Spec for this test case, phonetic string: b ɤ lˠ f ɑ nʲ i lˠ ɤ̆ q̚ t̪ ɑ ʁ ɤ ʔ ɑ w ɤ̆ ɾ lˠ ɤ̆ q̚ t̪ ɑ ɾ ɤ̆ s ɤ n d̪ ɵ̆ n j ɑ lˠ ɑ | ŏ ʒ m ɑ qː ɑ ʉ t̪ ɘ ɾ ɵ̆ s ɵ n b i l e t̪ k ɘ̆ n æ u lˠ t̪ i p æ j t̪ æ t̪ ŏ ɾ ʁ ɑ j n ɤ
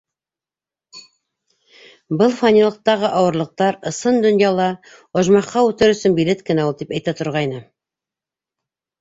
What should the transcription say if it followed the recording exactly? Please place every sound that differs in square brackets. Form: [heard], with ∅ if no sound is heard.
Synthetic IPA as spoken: b ɤ lˠ f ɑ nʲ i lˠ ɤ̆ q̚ t̪ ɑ ʁ ɤ ʔ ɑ w ɤ̆ ɾ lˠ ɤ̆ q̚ t̪ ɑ ɾ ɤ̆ s ɤ n d̪ ɵ̆ n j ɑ lˠ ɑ | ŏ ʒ m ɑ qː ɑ ʉ t̪ ɘ ɾ ɵ̆ s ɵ n b i l e t̪ k ɘ̆ n æ u lˠ t̪ i p æ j t̪ æ t̪ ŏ ɾ ʁ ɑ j n ɤ

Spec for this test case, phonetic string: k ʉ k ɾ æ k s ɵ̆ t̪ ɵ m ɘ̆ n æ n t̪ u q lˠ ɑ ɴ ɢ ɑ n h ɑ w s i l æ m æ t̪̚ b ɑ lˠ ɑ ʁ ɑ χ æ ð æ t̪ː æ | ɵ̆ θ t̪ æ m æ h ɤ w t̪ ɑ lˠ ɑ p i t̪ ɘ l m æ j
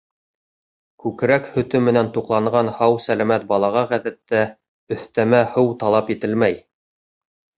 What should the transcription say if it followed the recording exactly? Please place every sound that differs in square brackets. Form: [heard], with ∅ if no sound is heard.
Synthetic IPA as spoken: k ʉ k ɾ æ k [h] ɵ̆ t̪ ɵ m ɘ̆ n æ n t̪ u q lˠ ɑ ɴ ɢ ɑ n h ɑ w s [æ] l æ m æ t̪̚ b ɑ lˠ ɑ ʁ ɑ [ʁ] æ ð æ t̪ː æ | ɵ̆ θ t̪ æ m æ h ɤ w t̪ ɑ lˠ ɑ p i t̪ ɘ l m æ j

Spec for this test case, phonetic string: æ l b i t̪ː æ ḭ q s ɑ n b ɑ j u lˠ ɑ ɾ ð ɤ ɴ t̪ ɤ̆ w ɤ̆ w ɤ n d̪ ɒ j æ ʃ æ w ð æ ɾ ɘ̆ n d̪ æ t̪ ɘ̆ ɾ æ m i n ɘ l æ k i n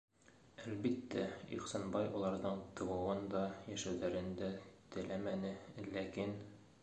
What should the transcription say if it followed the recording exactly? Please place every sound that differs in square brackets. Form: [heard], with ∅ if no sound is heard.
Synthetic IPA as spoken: æ l b i t̪ː æ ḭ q s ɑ n b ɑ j [ɒ] lˠ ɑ ɾ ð ɤ ɴ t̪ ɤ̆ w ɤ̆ w ɤ n d̪ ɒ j æ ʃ æ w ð æ ɾ ɘ̆ n d̪ æ t̪ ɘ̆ [l] æ m [æ] n ɘ l æ k i n

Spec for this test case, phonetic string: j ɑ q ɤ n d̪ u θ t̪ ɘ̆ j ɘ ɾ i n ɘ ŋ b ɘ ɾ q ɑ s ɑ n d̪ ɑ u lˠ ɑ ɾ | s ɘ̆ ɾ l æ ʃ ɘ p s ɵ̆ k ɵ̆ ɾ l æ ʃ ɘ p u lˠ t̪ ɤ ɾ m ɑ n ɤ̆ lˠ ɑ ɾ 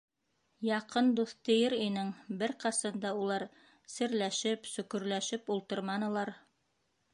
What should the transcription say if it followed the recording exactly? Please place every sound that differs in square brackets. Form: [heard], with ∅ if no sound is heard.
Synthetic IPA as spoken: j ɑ q ɤ n d̪ u θ t̪ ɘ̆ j ɘ ɾ i n ɘ ŋ b ɘ ɾ q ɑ s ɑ n d̪ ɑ u lˠ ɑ ɾ | s ɘ̆ ɾ l æ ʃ ɘ p s ɵ̆ k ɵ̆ ɾ l æ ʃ ɘ p u lˠ t̪ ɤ ɾ m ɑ n ɤ̆ lˠ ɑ ɾ

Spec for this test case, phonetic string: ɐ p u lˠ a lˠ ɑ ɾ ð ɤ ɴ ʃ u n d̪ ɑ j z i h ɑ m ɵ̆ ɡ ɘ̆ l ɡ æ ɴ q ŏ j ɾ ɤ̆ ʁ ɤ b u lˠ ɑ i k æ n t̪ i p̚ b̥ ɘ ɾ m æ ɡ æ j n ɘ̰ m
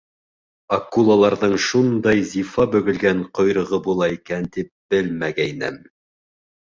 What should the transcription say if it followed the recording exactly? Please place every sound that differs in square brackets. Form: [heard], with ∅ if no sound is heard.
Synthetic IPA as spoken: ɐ [k] u lˠ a lˠ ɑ ɾ ð ɤ ɴ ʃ u n d̪ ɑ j z i [f] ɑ [b] ɵ̆ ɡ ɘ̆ l ɡ æ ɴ q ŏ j ɾ ɤ̆ ʁ ɤ b u lˠ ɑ i k æ n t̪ i p̚ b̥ ɘ [l] m æ ɡ æ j n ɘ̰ m

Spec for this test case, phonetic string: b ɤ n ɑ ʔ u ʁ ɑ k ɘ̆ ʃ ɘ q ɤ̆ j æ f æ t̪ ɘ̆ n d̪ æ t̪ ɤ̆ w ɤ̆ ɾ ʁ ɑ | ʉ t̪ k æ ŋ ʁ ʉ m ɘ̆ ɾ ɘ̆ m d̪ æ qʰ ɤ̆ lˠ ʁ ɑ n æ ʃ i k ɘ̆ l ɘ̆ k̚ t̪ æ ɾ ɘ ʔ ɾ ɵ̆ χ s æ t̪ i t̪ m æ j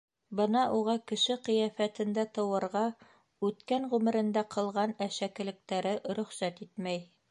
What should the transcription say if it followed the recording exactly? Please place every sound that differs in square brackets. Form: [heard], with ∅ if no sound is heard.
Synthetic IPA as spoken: b ɤ n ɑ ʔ u ʁ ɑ k ɘ̆ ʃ ɘ q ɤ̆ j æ f æ t̪ ɘ̆ n d̪ æ t̪ ɤ̆ w ɤ̆ ɾ ʁ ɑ | ʉ t̪ k æ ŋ ʁ ʉ m ɘ̆ ɾ ɘ̆ [n] d̪ æ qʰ ɤ̆ lˠ ʁ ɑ n æ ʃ [æ] k ɘ̆ l ɘ̆ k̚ t̪ æ ɾ ɘ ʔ ɾ ɵ̆ χ s æ t̪ i t̪ m æ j

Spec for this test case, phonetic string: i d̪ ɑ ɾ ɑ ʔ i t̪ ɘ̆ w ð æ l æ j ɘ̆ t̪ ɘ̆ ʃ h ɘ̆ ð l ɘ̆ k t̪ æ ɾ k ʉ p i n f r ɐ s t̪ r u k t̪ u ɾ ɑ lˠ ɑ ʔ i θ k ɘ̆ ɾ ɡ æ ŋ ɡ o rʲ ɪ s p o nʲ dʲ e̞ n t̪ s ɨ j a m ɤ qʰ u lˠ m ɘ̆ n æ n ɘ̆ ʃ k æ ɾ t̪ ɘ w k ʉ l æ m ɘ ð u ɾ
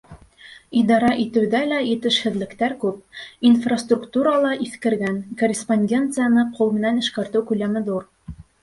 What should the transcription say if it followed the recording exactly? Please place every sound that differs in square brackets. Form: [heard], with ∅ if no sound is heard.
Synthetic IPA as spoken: i d̪ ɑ ɾ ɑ ʔ i t̪ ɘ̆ w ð æ l æ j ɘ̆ t̪ ɘ̆ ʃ h ɘ̆ ð l ɘ̆ k t̪ æ ɾ k ʉ p i n f r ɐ s t̪ r u k t̪ u ɾ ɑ lˠ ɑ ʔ i θ k ɘ̆ ɾ ɡ æ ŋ [k] o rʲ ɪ s p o nʲ dʲ e̞ n t̪ s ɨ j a [n] ɤ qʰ u lˠ m ɘ̆ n æ n ɘ̆ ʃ k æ ɾ t̪ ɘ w k ʉ l æ m ɘ ð u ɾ

